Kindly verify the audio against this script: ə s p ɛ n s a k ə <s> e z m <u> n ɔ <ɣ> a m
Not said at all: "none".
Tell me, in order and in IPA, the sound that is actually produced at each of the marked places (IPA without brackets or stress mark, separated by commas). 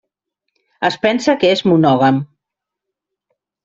none, u, ɣ